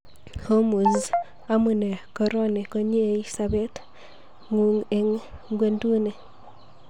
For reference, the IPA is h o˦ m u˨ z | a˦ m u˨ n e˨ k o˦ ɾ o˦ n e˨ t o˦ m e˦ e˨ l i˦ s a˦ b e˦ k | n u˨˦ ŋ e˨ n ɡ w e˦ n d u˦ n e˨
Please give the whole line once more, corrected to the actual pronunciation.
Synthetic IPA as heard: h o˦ m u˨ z | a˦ m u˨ n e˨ k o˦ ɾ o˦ n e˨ k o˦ ɲ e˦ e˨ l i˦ s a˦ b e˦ t | ŋ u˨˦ ŋ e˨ ŋ ɡ w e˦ n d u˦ n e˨